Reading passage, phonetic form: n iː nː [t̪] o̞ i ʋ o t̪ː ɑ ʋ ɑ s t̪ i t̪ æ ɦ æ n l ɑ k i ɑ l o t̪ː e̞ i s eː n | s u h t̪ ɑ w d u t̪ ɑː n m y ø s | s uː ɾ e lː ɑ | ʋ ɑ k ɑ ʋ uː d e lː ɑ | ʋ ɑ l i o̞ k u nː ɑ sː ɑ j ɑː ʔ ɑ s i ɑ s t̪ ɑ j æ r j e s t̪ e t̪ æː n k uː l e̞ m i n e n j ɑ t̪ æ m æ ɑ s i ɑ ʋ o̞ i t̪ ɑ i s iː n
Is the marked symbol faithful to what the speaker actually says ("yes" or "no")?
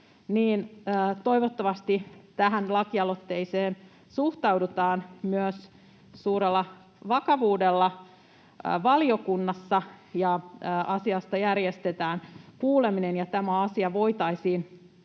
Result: yes